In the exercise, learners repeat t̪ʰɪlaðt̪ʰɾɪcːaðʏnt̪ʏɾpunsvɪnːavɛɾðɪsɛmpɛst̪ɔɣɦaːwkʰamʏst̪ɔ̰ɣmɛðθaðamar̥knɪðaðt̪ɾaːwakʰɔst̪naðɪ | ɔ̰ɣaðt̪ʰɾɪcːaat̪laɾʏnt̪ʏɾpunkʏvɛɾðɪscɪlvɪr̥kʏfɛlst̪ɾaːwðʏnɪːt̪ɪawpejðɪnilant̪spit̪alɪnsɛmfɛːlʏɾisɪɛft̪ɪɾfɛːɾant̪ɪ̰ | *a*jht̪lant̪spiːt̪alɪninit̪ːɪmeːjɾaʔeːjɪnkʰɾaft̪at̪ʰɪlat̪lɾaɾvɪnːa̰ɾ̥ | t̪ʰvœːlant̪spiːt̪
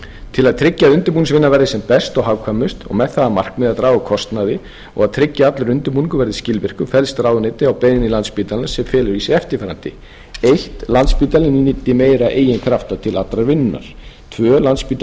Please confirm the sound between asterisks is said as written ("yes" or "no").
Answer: no